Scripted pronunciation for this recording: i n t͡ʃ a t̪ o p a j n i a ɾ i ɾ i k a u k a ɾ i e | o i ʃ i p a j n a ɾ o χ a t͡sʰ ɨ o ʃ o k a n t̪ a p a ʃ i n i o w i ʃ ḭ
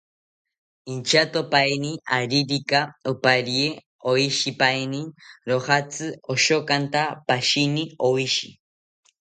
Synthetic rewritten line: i n t͡ʃ a t̪ o p a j n i a ɾ i ɾ i k a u p a ɾ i e | o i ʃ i p a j n i ɾ o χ a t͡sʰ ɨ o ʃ o k a n t̪ a p a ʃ i n i o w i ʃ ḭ

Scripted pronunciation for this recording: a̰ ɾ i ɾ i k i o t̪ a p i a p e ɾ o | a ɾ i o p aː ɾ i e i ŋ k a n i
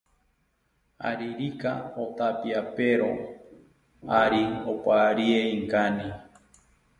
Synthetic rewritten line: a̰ ɾ i ɾ i k a o t̪ a p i a p e ɾ o | a ɾ i o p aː ɾ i e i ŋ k a n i

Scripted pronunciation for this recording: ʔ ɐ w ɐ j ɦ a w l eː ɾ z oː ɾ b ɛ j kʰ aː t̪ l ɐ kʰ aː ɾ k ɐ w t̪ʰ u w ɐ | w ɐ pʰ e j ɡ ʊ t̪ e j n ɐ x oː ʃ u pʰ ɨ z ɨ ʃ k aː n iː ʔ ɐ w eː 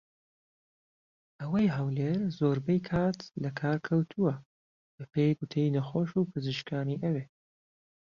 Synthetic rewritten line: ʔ ɐ w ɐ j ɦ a w l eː ɾ z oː ɾ b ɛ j kʰ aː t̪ l ɐ kʰ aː ɾ kʰ ɐ w t̪ʰ u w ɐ | b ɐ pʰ e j ɡ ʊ t̪ʰ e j n ɐ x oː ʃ u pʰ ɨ z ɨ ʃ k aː n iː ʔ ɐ w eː

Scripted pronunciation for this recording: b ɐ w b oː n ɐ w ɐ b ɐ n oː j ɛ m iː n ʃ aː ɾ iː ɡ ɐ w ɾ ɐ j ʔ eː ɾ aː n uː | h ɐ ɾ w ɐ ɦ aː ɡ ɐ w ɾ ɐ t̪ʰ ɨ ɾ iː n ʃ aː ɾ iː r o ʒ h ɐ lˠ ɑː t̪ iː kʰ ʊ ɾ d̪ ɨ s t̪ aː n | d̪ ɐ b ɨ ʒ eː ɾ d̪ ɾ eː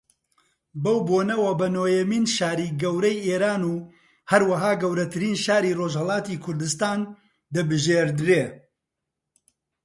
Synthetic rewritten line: b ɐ w b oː n ɐ w ɐ b ɐ n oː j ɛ m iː n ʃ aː ɾ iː ɡ ɐ w ɾ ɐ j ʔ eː ɾ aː n uː | h ɐ ɾ w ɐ ɦ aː ɡ ɐ w ɾ ɐ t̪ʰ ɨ ɾ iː n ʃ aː ɾ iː r o ʒ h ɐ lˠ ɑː t̪ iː kʰ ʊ ɾ d̪ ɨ s t̪ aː n | d̪ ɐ b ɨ ʒ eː ɾ d̪ ɾ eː

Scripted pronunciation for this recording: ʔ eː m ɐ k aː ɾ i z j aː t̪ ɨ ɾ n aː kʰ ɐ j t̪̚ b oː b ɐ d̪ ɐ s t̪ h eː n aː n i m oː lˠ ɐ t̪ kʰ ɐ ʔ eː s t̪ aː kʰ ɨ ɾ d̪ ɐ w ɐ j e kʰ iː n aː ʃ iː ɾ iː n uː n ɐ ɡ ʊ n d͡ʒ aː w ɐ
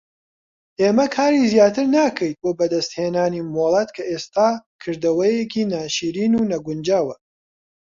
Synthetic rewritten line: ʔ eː m ɐ kʰ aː ɾ i z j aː t̪ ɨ ɾ n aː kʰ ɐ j t̪̚ b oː b ɐ d̪ ɐ s t̪ h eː n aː n i m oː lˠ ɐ t̪ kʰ ɐ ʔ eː s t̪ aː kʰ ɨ ɾ d̪ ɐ w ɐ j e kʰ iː n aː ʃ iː ɾ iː n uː n ɐ ɡ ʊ n d͡ʒ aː w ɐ

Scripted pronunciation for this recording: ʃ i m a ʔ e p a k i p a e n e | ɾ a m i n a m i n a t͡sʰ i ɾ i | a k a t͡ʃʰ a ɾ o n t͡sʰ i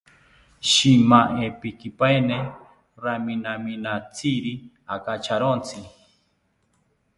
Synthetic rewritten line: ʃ i m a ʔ e p i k i p a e n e | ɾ a m i n a m i n a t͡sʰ i ɾ i | a k a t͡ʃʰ a ɾ o n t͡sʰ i

